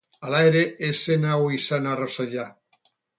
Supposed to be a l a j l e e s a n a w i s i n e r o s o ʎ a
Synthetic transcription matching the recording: a l a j ɾ e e s e n a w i s a n a r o s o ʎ a